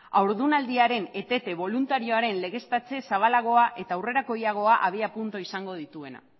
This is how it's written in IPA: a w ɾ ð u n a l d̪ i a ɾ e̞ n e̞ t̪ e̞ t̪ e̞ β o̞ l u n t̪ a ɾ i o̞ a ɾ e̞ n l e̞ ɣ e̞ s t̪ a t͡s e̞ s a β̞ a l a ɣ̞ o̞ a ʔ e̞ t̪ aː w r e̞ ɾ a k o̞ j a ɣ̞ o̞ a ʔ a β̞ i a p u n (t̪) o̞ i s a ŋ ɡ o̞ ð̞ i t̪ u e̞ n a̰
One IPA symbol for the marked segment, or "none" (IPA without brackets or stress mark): t̪